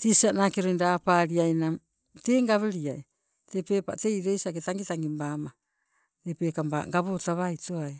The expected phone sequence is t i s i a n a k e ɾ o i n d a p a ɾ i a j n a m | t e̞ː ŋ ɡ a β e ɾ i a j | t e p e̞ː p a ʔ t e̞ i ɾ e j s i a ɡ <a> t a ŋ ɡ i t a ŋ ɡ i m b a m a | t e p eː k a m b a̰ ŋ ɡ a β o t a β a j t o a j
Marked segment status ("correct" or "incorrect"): incorrect